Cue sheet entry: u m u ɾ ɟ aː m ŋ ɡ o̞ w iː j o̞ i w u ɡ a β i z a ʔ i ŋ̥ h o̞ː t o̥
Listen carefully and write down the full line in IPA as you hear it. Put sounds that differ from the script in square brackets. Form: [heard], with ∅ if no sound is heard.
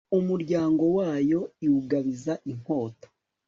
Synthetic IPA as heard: u m u ɾ ɟ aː [∅] ŋ ɡ o̞ w [aː] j o̞ i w u ɡ a β i z a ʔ i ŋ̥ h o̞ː t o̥

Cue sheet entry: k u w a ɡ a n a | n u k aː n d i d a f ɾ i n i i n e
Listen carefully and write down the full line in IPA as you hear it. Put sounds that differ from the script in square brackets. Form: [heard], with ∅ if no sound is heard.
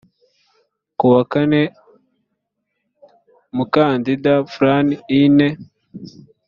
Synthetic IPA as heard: k u w a [k] a n [e] | [m] u k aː n d i d a f ɾ [a] n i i n e

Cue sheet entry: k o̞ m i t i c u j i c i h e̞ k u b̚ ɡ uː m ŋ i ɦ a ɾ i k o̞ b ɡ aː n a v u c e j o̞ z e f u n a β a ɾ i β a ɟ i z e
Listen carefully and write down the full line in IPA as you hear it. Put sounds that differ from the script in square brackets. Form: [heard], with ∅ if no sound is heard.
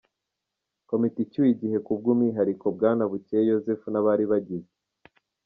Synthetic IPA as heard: k o̞ m i t i c u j i [ɟ] i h e̞ k u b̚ ɡ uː m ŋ i ɦ a ɾ i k o̞ b ɡ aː n a [β] u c e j o̞ z e f u n a β a ɾ i β a ɟ i z e

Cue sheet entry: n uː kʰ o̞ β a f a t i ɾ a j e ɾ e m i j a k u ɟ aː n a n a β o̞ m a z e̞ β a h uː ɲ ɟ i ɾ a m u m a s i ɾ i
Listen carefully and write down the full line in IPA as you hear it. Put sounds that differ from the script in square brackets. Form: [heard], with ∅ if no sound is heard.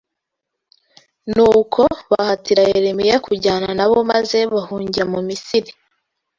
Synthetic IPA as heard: n uː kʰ o̞ β a [h] a t i ɾ a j e ɾ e m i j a k u ɟ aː n a n a β o̞ m a z e̞ β a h uː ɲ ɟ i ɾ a m u m [i] s i ɾ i

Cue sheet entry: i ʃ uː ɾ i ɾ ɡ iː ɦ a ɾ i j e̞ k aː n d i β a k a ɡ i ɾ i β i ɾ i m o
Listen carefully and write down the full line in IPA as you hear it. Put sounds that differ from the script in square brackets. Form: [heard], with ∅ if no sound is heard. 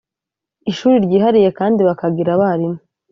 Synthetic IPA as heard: i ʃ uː ɾ i ɾ [ɟ] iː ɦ a ɾ i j e̞ k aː n d i β a k a ɡ i ɾ [a] β [a] ɾ i m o

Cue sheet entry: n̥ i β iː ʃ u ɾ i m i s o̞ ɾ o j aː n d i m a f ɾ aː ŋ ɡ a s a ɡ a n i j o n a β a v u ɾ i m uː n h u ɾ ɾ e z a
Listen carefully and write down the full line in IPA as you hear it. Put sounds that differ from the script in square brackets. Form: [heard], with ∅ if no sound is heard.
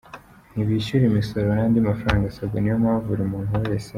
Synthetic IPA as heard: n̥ i β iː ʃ u ɾ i m i s o̞ ɾ o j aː n d i m a f ɾ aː ŋ ɡ a s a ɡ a n i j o [m] a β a v u ɾ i m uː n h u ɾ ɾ e [s] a

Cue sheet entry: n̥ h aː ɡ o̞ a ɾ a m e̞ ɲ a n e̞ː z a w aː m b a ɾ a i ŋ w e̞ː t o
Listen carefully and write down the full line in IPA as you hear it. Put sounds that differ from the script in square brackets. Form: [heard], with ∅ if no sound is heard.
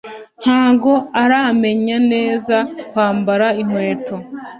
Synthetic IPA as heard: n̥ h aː ɡ o̞ a ɾ a m e̞ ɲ a n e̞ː z a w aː m b a ɾ a i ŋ w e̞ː t o

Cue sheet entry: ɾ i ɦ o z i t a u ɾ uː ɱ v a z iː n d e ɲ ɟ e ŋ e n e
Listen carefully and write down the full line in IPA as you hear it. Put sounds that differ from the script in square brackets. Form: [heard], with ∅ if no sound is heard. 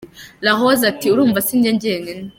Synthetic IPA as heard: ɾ [a] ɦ o z [a] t [i] u ɾ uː ɱ v a [s] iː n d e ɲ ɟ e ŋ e n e

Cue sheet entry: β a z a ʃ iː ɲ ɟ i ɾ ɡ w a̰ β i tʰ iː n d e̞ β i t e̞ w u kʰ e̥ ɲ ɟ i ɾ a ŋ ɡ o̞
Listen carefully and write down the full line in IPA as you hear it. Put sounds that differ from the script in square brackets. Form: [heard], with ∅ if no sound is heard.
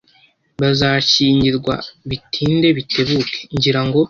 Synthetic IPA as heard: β a z a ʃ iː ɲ ɟ i ɾ ɡ w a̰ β i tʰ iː n d e̞ β i t e̞ [β] u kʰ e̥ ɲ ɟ i ɾ a ŋ ɡ o̞

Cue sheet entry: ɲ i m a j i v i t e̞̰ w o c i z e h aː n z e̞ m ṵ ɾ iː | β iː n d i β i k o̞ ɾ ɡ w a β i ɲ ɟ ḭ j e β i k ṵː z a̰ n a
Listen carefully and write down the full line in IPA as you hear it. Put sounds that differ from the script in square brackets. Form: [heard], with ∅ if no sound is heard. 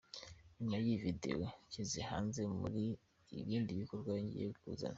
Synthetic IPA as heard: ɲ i m a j i v i [d] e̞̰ w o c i z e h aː n z e̞ m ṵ ɾ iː | β iː n d i β i k o̞ ɾ ɡ w a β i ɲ ɟ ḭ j e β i k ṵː z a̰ n a

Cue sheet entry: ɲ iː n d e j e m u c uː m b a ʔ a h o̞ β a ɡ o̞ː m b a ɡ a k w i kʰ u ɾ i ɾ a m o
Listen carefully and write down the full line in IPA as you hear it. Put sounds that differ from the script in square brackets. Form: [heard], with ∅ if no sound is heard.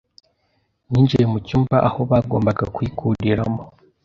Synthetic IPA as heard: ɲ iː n [d͡ʒ] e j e m u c uː m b a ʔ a h o̞ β a ɡ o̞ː m b a ɡ a k w i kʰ u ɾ i ɾ a m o

